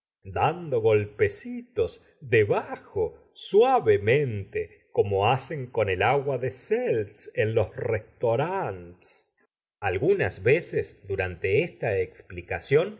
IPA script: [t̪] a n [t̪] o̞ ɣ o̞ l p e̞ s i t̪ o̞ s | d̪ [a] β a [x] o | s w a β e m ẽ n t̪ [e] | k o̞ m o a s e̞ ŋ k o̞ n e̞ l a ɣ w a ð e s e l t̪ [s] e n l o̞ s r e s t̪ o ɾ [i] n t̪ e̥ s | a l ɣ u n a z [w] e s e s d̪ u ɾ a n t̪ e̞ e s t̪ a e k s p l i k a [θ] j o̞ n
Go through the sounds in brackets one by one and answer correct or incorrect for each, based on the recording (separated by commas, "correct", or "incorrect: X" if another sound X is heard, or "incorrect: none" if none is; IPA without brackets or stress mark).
incorrect: d̪, incorrect: d̪, incorrect: e, correct, correct, correct, incorrect: a, incorrect: β, incorrect: s